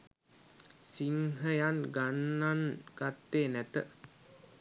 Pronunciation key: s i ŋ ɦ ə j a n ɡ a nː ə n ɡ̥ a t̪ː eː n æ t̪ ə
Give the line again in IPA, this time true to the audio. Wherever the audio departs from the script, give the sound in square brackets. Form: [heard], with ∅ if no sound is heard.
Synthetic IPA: s i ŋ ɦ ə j a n ɡ a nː [a] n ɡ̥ a t̪ː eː n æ t̪ ə